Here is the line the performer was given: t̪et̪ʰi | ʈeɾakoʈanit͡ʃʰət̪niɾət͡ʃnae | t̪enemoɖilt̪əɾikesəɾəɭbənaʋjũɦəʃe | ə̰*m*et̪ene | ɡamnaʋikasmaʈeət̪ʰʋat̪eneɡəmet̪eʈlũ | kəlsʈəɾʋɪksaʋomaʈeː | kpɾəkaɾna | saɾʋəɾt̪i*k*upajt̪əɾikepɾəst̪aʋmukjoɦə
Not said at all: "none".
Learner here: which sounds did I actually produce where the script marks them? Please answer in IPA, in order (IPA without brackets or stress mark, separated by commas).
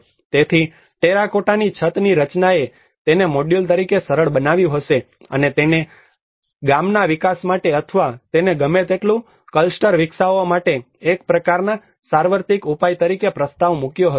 n, k